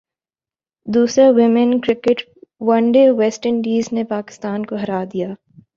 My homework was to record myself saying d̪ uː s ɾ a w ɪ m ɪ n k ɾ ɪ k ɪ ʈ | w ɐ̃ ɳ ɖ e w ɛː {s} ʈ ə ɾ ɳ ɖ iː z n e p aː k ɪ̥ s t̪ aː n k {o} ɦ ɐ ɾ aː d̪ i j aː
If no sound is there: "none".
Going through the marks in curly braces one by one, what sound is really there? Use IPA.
s, o

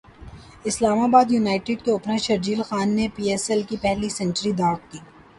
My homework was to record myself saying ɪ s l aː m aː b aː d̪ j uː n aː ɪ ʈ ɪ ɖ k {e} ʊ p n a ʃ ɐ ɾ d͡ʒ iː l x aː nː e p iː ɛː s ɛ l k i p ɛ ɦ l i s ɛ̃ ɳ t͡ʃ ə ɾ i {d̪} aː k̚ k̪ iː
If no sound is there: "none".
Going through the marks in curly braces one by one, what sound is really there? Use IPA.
e, d̪

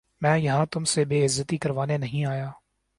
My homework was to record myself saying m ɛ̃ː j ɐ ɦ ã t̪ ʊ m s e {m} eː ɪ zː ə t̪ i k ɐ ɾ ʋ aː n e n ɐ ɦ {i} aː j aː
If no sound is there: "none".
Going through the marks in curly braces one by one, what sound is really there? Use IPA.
b, ĩ

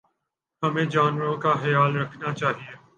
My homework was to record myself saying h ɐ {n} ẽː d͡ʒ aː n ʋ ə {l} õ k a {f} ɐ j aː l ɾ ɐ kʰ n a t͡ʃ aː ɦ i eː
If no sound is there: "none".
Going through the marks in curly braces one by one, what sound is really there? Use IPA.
m, ɾ, x

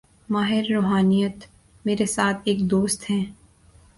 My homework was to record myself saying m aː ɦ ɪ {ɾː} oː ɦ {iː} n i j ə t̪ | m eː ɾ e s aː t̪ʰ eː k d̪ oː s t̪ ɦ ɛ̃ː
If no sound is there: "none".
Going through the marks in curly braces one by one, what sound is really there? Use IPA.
ɾː, aː

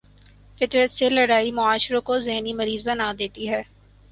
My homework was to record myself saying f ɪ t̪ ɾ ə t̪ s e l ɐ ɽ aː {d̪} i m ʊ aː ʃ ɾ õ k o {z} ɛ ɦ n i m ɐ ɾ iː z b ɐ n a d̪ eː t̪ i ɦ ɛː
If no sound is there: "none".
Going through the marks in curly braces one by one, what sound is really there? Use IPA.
none, z

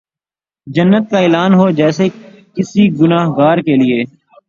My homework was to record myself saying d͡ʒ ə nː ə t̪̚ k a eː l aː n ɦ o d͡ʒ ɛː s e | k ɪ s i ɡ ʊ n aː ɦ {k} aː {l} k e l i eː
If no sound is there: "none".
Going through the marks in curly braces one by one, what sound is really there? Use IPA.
ɡ, ɾ

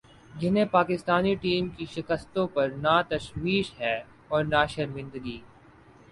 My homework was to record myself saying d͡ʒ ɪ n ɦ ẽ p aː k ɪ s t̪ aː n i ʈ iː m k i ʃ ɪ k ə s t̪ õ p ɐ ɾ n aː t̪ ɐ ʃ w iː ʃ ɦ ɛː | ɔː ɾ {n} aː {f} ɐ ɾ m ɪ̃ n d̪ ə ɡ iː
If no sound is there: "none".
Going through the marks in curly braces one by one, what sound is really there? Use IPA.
n, ʃ

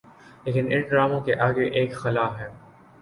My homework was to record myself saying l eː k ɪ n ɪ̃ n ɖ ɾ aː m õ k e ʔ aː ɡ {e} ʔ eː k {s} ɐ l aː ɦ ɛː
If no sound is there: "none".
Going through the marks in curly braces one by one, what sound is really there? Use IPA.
e, x

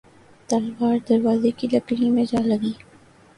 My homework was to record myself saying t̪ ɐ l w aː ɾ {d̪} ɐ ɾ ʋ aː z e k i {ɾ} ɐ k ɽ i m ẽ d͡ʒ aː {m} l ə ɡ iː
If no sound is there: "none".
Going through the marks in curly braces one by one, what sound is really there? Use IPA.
d̪, l, none

